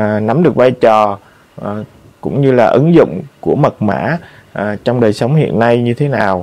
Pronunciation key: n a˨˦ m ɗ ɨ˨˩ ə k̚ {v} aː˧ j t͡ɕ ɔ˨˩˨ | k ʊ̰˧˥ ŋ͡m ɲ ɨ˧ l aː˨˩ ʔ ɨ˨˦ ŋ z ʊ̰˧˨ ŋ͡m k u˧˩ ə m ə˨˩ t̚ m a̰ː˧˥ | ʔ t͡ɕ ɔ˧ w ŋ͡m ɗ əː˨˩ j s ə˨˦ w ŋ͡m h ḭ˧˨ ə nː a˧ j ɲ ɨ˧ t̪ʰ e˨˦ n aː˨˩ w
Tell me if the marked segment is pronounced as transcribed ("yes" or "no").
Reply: yes